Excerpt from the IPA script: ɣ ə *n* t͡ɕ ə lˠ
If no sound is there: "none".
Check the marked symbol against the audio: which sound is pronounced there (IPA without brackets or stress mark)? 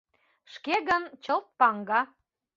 n